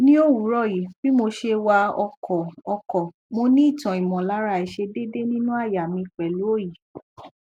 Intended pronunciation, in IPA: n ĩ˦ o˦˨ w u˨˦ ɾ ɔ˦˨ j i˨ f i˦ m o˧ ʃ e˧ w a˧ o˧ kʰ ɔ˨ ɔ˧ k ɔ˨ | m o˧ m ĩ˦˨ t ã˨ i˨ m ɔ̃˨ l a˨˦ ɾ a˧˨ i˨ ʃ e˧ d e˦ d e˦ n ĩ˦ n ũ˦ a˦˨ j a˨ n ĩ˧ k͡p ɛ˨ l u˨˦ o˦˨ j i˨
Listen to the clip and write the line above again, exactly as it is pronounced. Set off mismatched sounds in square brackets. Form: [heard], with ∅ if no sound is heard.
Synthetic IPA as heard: n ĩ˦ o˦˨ w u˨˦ ɾ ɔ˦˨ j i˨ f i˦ m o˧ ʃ e˧ w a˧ [ɔ˧] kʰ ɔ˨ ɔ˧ k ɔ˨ | m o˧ [n] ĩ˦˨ t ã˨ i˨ m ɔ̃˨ l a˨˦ ɾ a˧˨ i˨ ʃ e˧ d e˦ d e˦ n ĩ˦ n ũ˦ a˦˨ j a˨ [m] ĩ˧ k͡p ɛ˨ l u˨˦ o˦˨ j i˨